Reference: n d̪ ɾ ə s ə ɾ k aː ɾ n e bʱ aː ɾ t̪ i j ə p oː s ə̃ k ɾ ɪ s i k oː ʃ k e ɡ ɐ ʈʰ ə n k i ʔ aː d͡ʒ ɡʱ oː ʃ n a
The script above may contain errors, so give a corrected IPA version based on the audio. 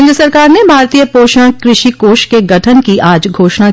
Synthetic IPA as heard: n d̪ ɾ ə s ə ɾ k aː ɾ n e bʱ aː ɾ t̪ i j ə p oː ʃ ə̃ k ɾ ɪ ʃ i k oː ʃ k e ɡ ɐ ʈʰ ə n k i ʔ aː d͡ʒ ɡʱ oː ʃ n a